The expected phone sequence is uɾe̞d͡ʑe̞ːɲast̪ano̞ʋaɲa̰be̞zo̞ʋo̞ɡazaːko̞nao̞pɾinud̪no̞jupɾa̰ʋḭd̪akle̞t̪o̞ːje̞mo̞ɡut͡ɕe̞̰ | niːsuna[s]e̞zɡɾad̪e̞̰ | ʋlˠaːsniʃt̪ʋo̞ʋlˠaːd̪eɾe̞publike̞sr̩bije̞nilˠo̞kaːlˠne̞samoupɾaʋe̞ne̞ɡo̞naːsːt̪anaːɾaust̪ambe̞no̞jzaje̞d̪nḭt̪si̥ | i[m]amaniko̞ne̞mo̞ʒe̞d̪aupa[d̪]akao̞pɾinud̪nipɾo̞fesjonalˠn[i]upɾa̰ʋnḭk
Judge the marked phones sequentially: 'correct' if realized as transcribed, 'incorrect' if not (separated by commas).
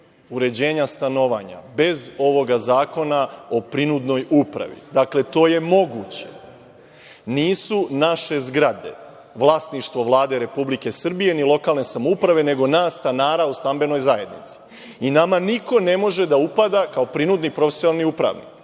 incorrect, incorrect, correct, correct